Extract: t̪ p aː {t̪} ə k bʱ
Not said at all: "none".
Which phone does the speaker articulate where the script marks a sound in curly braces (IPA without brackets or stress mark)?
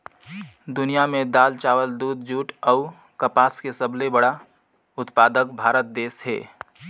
d̪